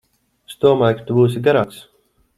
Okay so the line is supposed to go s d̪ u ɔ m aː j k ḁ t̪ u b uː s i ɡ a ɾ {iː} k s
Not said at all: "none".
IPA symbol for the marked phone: aː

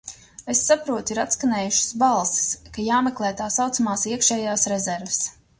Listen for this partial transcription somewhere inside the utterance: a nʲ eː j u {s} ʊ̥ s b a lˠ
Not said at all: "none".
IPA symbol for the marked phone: ʃ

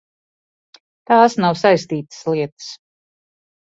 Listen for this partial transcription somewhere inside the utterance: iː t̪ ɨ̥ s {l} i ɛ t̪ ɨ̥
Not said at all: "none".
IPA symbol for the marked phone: l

